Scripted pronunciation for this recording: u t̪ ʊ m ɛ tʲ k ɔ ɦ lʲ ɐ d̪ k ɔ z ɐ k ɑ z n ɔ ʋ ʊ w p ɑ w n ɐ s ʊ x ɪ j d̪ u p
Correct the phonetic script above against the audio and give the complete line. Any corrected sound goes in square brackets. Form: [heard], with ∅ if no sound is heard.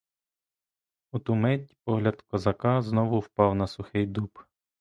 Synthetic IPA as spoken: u t̪ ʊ m ɛ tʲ [p] ɔ ɦ lʲ ɐ d̪ k ɔ z ɐ k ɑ z n ɔ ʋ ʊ w p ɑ w n ɐ s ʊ x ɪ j d̪ u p